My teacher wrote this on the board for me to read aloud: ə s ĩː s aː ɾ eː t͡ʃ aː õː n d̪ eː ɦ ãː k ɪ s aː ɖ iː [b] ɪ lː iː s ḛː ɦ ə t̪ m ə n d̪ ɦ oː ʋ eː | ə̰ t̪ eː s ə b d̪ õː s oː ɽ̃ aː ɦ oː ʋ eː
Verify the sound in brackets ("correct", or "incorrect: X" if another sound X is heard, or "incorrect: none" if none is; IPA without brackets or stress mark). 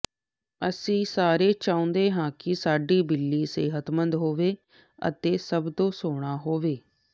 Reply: correct